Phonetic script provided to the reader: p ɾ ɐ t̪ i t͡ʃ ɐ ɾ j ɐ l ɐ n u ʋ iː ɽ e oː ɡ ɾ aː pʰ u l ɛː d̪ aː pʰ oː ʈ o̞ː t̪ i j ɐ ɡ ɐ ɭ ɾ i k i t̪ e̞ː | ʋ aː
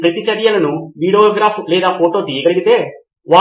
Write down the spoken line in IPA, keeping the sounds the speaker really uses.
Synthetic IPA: p ɾ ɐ t̪ i t͡ʃ ɐ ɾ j ɐ l ɐ n u ʋ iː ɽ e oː ɡ ɾ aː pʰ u l ɛː d̪ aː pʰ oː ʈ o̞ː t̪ i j ɐ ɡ ɐ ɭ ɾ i ɡ i t̪ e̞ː | ʋ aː

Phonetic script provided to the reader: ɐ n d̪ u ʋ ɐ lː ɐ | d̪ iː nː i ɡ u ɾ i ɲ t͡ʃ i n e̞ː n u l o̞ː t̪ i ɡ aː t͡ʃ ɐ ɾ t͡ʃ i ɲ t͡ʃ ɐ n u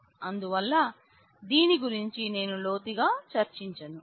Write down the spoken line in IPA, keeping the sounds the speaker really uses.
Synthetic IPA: ɐ n d̪ u ʋ ɐ lː ɐ | d̪ iː n i ɡ u ɾ i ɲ t͡ʃ i n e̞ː n u l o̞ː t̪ i ɡ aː t͡ʃ ɐ ɾ t͡ʃ i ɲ t͡ʃ ɐ n u

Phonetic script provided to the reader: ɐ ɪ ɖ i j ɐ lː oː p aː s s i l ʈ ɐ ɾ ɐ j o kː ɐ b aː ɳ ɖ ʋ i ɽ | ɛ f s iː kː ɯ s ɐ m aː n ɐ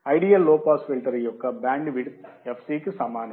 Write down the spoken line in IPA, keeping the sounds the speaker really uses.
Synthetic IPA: ɐ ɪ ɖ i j ɐ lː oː p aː s f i l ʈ ɐ ɾ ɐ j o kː ɐ b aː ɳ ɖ ʋ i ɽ | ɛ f s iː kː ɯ s ɐ m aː n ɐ

